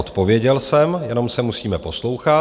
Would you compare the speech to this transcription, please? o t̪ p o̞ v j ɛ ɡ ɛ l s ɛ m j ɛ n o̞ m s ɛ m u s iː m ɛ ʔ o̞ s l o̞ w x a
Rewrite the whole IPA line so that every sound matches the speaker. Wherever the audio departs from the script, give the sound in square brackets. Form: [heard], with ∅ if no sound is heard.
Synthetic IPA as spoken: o t̪ p o̞ v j ɛ [ɟ] ɛ l s ɛ m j ɛ n o̞ m s ɛ m u s iː m ɛ [p] o̞ s l o̞ w x a